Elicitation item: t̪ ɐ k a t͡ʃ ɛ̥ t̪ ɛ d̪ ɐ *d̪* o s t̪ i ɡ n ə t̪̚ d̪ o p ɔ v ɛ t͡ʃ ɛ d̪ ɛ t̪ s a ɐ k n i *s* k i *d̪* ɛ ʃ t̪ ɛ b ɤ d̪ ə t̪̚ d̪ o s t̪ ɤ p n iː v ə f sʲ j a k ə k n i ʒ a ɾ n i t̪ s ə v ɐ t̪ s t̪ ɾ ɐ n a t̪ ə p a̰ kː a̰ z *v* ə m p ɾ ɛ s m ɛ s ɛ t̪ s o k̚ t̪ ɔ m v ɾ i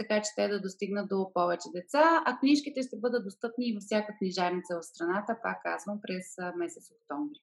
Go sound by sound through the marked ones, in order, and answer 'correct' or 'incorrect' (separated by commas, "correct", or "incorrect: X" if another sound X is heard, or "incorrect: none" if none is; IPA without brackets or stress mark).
correct, incorrect: ʃ, incorrect: t̪, correct